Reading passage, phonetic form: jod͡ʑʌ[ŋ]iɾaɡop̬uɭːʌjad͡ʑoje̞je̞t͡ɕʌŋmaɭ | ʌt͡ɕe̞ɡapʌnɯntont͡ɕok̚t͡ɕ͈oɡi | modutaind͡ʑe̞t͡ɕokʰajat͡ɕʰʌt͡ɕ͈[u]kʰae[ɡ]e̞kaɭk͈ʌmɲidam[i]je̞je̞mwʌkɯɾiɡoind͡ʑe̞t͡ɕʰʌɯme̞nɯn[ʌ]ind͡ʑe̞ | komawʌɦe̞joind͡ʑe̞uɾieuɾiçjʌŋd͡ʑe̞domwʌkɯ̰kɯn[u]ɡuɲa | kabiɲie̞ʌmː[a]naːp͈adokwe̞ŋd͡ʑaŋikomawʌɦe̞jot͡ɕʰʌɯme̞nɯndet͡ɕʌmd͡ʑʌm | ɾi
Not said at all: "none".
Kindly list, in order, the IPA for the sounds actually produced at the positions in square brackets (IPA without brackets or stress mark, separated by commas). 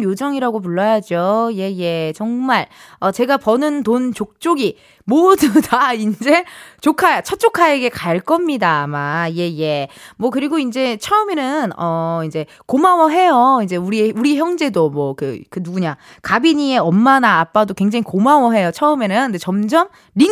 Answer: ŋ, o, ɡ, a, ʌ, u, a